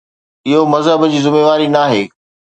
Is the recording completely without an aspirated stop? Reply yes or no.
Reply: yes